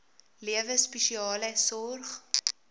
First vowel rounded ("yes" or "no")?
no